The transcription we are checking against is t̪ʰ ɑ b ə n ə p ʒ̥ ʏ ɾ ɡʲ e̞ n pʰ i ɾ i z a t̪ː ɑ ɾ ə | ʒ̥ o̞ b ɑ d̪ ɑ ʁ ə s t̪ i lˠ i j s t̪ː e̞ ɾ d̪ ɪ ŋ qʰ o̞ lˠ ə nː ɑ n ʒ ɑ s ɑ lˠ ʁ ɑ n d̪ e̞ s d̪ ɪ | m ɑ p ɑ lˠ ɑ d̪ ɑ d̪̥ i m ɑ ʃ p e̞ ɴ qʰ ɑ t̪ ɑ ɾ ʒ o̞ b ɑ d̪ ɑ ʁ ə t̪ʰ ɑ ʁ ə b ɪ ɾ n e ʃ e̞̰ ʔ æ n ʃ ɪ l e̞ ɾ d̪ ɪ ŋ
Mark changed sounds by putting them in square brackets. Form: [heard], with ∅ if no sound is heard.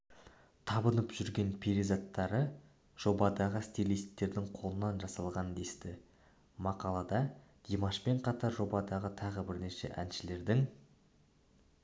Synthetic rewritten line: t̪ʰ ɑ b ə n ə p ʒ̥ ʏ ɾ ɡʲ e̞ n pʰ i ɾ i z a t̪ː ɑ ɾ ə | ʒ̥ o̞ b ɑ d̪ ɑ ʁ ə s t̪ i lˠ i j s t̪ː e̞ ɾ d̪ ɪ ŋ qʰ o̞ lˠ ə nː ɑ n ʒ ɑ s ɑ lˠ ʁ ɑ n d̪ e̞ s [t̪] ɪ | m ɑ [q] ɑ lˠ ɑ d̪ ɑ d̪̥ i m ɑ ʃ p e̞ ɴ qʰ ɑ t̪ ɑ ɾ ʒ o̞ b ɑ d̪ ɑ ʁ ə t̪ʰ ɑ ʁ ə b ɪ ɾ n e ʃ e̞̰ ʔ æ n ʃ ɪ l e̞ ɾ d̪ ɪ ŋ